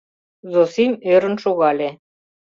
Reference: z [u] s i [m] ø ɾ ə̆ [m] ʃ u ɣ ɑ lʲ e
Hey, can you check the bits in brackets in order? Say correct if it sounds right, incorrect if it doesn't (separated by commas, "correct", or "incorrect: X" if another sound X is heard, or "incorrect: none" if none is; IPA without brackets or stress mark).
incorrect: o, correct, incorrect: n